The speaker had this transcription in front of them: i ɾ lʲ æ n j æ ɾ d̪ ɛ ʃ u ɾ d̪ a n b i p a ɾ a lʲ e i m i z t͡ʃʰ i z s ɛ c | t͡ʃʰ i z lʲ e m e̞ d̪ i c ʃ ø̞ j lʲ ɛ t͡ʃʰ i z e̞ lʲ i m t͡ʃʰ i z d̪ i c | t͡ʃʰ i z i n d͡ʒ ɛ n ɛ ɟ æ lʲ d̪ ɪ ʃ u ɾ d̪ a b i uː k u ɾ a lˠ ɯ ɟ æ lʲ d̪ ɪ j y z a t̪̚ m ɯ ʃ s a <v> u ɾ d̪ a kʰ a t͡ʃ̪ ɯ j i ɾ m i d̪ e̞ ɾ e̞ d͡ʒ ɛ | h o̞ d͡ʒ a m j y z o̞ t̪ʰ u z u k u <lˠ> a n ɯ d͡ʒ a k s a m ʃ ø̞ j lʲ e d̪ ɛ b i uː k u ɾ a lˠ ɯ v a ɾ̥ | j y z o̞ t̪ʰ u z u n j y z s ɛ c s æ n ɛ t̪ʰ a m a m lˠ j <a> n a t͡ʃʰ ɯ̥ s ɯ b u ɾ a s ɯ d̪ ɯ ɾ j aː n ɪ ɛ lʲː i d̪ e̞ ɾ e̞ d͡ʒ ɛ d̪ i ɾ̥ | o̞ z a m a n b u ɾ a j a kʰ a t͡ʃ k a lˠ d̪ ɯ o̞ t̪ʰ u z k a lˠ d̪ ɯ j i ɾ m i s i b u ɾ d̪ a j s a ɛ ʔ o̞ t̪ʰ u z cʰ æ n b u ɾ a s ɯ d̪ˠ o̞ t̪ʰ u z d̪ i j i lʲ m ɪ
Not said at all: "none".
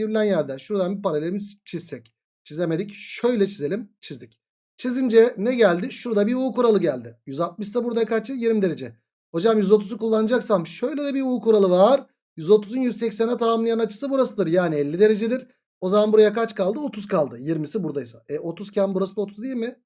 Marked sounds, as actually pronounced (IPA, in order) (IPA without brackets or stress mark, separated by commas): b, lˠː, a